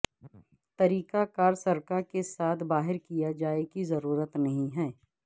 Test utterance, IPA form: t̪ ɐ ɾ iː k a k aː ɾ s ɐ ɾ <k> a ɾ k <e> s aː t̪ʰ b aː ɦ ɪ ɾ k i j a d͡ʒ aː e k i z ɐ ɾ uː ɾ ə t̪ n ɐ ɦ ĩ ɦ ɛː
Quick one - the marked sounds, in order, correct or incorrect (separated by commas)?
correct, correct